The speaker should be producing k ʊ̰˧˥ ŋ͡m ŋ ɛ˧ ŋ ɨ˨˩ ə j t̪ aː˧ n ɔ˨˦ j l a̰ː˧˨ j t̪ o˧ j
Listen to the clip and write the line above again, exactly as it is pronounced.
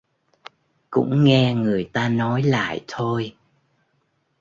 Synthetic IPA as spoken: k ʊ̰˧˥ ŋ͡m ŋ ɛ˧ ŋ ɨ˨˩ ə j t̪ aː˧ n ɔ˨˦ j l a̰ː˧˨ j t̪ʰ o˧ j